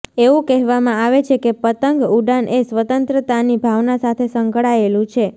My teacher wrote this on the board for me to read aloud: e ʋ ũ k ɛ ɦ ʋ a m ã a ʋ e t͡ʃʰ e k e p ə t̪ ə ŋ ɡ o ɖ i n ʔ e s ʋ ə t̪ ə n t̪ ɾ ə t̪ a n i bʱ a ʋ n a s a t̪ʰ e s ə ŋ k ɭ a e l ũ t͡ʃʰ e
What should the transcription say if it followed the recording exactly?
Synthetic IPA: e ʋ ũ k ɛ ɦ ʋ a m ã a ʋ e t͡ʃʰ e k e p ə t̪ ə ŋ ɡ u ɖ a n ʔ e s ʋ ə t̪ ə n t̪ ɾ ə t̪ a n i bʱ a ʋ n a s a t̪ʰ e s ə ŋ k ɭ a e l ũ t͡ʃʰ e